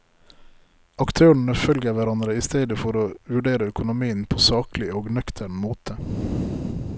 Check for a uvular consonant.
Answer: absent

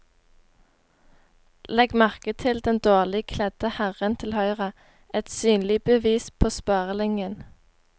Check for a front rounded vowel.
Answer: present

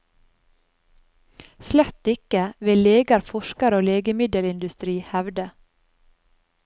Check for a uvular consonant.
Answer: absent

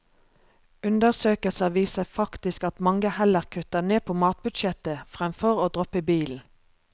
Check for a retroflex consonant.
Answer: absent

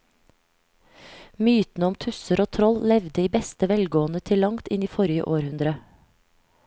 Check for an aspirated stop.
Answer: present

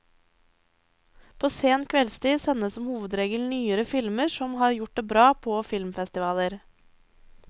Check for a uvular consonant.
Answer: absent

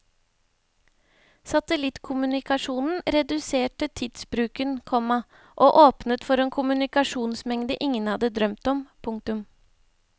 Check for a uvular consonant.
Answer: absent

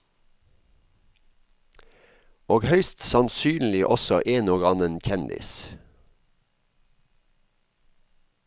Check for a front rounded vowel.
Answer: present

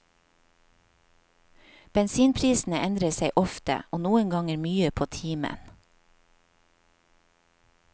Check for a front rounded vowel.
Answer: present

